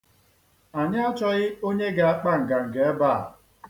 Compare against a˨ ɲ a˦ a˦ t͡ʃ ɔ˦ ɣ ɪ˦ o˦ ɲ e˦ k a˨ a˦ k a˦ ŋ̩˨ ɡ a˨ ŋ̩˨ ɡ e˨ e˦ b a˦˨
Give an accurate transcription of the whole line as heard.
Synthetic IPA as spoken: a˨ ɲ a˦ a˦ t͡ʃ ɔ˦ ɣ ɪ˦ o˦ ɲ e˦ ɡ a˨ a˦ k͡p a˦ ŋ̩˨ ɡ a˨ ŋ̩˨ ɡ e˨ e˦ b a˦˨